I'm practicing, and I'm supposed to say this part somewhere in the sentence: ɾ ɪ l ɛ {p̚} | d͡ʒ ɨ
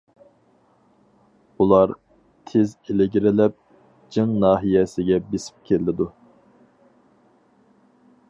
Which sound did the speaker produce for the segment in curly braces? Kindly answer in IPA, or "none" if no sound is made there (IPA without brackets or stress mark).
p̚